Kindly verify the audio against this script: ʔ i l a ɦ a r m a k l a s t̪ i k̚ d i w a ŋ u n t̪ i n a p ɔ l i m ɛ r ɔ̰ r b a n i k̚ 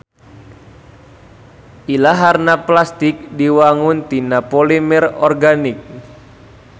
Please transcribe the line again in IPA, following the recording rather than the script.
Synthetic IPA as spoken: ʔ i l a ɦ a r n a p l a s t̪ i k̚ d i w a ŋ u n t̪ i n a p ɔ l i m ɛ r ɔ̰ r ɡ a n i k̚